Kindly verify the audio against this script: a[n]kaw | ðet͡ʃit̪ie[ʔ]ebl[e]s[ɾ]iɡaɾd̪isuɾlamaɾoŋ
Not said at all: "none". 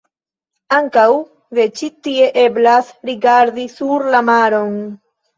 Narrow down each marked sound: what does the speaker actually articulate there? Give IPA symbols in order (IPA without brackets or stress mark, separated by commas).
ŋ, ʔ, a, ɾ